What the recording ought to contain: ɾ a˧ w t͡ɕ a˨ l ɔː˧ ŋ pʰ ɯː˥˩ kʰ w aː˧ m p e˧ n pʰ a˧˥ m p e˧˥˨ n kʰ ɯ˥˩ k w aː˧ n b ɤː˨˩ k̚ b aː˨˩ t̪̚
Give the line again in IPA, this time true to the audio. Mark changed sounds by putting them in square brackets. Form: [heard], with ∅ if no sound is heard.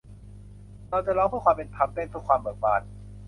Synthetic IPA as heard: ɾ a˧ w t͡ɕ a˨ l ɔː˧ ŋ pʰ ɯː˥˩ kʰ w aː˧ m p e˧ n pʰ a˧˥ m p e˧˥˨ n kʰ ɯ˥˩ k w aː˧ [m] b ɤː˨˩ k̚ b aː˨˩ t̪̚